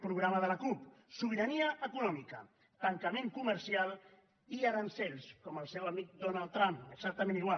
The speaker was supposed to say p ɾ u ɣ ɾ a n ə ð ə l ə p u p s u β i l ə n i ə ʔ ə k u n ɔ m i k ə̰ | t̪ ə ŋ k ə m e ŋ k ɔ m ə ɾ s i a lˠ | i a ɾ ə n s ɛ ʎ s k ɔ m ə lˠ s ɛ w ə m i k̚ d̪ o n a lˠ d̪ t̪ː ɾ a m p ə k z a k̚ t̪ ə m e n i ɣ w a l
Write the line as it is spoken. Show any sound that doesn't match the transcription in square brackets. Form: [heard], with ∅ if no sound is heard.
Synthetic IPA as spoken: p ɾ u ɣ ɾ a [m] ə ð ə l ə [k] u p s u β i [ɾ] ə n i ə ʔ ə k u n ɔ m i k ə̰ | t̪ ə ŋ k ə m e ŋ k [u] m ə ɾ s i a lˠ | i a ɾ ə n s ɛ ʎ s k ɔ m ə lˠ s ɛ w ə m i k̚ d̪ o n a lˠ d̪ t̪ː ɾ a m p ə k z a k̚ t̪ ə m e n i ɣ w a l